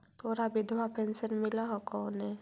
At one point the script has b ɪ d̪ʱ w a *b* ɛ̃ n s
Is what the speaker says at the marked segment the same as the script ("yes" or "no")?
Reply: no